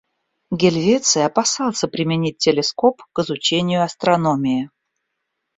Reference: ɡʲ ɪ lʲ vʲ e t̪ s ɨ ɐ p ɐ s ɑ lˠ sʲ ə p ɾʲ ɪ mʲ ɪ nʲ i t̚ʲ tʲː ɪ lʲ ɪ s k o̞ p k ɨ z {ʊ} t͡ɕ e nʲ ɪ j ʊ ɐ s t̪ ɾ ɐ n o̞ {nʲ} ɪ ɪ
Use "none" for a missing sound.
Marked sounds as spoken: ʊ, mʲ

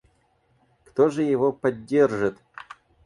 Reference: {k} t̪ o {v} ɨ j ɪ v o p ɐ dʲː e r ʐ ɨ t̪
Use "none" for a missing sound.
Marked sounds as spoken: k, ʐ

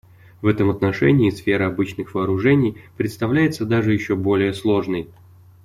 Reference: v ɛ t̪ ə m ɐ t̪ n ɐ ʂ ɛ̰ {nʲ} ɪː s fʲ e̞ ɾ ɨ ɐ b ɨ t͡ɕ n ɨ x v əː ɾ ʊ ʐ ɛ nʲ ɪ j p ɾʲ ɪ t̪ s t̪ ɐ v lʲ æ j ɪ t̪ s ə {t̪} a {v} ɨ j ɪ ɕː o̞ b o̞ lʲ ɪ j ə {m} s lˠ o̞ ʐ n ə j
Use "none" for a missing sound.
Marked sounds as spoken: nʲ, d̪, ʐ, none

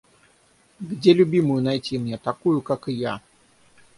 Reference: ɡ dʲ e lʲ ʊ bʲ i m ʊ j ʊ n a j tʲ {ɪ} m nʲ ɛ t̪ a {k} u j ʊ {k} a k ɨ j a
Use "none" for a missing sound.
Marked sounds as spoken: i, k, k

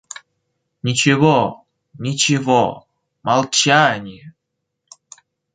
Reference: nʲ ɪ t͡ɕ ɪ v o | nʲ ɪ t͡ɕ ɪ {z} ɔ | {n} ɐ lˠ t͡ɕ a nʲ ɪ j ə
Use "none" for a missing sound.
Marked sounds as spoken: v, m

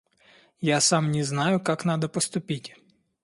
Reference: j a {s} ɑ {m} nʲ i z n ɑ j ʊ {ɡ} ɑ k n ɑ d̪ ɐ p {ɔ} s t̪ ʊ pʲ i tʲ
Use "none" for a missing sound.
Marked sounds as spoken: s, m, k, ɔ

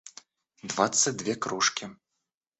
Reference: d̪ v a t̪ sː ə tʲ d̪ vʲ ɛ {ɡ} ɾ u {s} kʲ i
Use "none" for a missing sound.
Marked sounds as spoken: k, ʂ

